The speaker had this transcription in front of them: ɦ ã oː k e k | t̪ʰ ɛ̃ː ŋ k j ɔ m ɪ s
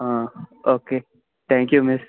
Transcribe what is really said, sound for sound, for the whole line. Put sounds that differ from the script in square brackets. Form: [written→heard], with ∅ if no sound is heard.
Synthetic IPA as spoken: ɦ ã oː k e [k→∅] | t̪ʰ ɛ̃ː ŋ k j [ɔ→u] m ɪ s